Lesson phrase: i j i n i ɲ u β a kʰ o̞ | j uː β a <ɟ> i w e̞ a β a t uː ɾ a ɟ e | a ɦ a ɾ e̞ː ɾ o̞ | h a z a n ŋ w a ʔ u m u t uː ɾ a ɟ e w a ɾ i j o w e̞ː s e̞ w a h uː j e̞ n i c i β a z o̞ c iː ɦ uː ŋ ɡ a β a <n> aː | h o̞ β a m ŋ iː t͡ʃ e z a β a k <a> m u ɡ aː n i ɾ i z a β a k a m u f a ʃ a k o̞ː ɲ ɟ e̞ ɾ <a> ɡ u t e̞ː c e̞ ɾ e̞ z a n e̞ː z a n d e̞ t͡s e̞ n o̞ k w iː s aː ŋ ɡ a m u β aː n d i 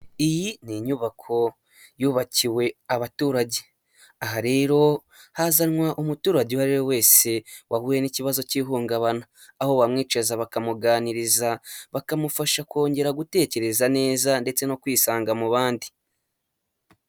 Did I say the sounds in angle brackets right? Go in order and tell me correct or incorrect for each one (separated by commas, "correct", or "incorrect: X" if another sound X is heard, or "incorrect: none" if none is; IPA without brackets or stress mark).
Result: incorrect: c, correct, correct, correct